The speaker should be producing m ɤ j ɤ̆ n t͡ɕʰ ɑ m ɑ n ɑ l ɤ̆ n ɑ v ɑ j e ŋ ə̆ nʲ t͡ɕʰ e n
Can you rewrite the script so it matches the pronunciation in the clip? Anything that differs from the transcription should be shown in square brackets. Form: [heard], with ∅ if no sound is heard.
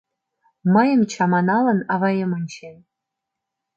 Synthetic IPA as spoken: m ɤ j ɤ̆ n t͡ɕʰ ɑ m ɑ n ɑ l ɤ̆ n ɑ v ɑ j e [m] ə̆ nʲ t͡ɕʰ e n

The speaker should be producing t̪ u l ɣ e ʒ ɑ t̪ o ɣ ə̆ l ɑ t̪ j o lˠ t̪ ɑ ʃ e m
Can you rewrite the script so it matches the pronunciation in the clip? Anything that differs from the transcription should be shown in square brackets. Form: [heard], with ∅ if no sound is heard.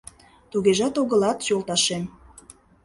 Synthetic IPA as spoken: t̪ u [∅] ɣ e ʒ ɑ t̪ o ɣ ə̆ l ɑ t̪ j o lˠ t̪ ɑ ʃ e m

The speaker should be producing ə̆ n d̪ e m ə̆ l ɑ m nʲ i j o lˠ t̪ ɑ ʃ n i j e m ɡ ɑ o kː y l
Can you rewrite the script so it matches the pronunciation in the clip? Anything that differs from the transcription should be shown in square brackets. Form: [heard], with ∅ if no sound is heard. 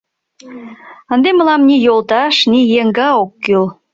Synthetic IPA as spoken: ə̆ n d̪ e m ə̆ l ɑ m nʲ i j o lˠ t̪ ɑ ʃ n i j e [ŋ] ɡ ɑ o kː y l

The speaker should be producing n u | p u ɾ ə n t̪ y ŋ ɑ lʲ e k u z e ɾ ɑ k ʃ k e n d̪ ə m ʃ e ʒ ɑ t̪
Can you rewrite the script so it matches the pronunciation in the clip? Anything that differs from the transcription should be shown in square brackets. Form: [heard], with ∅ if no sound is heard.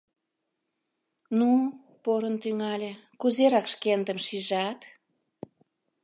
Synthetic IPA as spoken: n u | p [o] ɾ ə n t̪ y ŋ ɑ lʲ e k u z e ɾ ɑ k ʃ k e n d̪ ə m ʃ [i] ʒ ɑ t̪

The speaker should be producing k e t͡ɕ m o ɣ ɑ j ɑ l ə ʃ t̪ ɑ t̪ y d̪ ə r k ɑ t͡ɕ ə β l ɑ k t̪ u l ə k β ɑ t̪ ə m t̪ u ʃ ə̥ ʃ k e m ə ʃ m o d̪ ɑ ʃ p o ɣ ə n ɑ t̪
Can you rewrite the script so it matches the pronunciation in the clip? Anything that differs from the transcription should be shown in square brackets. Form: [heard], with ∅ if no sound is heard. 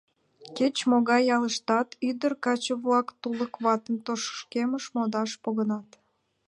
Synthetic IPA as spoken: k e t͡ɕ m o ɣ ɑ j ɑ l ə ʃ t̪ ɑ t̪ y d̪ ə r k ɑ t͡ɕ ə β l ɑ k t̪ u l ə k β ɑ t̪ ə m t̪ [o] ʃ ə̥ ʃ k e m ə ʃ m o d̪ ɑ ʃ p o ɣ ə n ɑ t̪

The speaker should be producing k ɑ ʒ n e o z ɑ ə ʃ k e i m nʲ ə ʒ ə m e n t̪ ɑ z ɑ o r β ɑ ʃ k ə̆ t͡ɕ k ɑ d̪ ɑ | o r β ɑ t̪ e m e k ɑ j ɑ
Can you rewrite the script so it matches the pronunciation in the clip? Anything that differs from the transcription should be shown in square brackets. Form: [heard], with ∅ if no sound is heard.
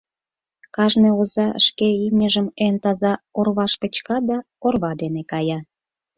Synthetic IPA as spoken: k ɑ ʒ n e o z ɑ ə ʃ k e i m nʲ ə ʒ ə m e n t̪ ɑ z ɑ o r β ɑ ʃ k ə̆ t͡ɕ k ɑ d̪ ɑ | o r β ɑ [d̪] e [n] e k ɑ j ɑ

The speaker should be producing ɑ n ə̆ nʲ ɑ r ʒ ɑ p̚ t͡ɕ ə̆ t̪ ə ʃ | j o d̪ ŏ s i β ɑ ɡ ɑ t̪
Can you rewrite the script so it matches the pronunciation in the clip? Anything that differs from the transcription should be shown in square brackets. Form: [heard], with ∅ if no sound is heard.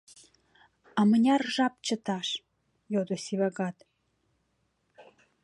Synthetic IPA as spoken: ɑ [m] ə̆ nʲ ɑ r ʒ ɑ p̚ t͡ɕ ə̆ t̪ [ɑ] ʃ | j o d̪ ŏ s i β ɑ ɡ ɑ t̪

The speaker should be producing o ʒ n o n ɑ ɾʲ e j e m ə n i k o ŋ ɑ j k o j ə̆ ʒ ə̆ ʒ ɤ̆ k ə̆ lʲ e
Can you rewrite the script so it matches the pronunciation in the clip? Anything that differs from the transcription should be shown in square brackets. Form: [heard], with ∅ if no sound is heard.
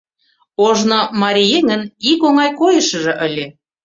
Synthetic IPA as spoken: o ʒ n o [m] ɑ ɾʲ [i] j e [ŋ] ə n i k o ŋ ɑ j k o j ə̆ [ʃ] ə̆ ʒ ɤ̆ [ʔ] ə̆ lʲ e

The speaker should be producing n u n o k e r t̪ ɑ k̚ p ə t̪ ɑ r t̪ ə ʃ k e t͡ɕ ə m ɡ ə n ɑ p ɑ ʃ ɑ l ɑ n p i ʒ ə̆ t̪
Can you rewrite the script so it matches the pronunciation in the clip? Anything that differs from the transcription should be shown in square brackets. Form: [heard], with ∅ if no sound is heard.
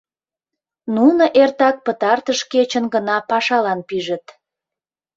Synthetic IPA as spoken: n u n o [ʔ] e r t̪ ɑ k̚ p ə t̪ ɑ r t̪ ə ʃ k e t͡ɕ ə [n] ɡ ə n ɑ p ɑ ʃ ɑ l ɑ n p i ʒ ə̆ t̪

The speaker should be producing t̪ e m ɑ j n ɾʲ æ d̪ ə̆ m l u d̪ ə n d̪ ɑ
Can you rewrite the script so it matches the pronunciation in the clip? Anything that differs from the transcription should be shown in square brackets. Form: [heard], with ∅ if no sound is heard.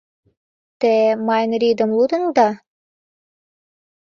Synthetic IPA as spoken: t̪ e m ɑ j n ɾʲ [i] d̪ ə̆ m l u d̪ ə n d̪ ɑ

